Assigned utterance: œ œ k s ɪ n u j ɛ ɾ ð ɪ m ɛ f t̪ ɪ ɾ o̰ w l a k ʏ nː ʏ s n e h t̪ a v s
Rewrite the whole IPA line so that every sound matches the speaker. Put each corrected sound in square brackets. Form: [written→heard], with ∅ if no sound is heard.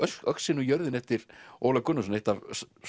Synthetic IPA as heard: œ œ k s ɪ n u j [ɛ→œ] ɾ ð ɪ [m→n] ɛ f t̪ ɪ ɾ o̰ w l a k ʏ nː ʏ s n e h t̪ a v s